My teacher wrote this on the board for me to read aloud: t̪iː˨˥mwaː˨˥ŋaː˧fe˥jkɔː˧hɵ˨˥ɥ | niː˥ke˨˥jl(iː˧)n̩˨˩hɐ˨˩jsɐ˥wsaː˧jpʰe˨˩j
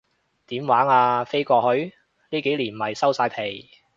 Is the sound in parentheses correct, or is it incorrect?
incorrect: iː˨˩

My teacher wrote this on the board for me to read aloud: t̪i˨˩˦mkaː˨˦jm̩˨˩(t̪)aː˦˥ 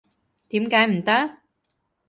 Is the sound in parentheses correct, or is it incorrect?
correct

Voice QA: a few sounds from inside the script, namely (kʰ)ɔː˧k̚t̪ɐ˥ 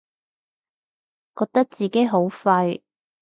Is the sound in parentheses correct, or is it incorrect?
incorrect: k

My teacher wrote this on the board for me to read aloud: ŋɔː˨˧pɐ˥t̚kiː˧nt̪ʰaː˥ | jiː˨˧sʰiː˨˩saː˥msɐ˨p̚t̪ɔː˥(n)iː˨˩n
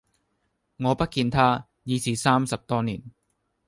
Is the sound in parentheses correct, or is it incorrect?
correct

